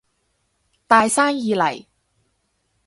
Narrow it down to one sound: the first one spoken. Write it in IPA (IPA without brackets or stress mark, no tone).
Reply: t̪